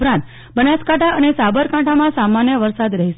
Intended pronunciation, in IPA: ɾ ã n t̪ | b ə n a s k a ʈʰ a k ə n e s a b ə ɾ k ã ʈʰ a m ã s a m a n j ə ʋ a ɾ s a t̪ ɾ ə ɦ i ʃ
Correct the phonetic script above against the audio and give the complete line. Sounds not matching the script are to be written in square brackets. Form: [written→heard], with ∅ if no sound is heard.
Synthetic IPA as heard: ɾ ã n t̪ | b ə n a s k a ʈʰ a [k→∅] ə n e s a b ə ɾ k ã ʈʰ a m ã s a m a n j ə ʋ [a→ə] ɾ s a [t̪→d̪] ɾ ə ɦ i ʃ